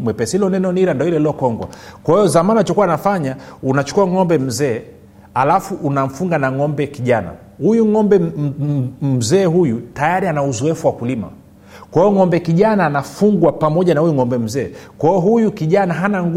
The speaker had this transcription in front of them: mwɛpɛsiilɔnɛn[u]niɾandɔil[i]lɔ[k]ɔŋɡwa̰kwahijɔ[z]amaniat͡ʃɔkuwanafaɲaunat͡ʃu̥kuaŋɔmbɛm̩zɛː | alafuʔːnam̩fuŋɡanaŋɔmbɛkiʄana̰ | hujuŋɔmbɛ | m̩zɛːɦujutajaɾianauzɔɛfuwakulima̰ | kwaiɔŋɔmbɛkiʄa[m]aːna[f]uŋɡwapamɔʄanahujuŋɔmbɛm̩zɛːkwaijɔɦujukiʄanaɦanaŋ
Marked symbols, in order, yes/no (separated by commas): no, no, yes, yes, no, yes